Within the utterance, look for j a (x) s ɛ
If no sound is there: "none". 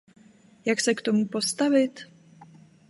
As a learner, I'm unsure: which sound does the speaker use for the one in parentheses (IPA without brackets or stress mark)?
k